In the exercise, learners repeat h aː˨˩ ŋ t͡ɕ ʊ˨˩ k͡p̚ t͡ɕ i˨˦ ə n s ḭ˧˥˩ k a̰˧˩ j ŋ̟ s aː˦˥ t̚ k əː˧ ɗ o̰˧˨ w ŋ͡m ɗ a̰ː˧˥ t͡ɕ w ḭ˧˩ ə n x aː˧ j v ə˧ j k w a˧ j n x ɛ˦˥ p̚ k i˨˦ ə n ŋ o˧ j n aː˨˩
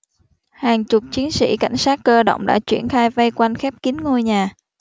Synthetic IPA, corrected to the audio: h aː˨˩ ŋ t͡ɕ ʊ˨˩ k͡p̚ t͡ɕ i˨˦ ə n s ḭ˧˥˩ k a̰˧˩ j ŋ̟ s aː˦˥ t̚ k əː˧ ɗ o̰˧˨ w ŋ͡m ɗ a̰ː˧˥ t͡ɕ w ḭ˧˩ ə n x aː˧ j v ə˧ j k w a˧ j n x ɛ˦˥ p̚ k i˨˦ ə n ŋ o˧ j ɲ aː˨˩